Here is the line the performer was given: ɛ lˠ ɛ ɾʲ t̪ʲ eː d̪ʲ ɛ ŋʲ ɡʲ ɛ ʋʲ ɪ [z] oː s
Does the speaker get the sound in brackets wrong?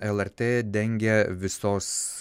yes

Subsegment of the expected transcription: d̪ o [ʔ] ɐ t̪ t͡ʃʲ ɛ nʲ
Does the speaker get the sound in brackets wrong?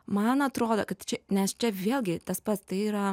yes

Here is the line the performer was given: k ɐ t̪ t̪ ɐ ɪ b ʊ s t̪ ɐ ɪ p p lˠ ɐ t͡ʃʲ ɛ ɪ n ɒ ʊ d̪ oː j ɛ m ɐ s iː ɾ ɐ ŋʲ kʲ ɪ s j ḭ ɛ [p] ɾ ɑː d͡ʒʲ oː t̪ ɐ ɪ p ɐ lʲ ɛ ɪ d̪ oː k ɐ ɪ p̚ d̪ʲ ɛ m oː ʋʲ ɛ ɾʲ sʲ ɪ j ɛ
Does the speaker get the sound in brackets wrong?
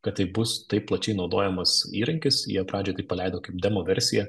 no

